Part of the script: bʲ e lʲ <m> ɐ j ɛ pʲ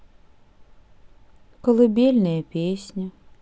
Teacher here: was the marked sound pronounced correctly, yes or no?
no